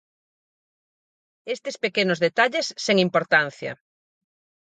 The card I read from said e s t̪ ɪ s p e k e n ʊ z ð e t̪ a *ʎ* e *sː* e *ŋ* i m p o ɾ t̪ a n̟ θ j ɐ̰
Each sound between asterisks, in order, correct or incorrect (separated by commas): correct, correct, correct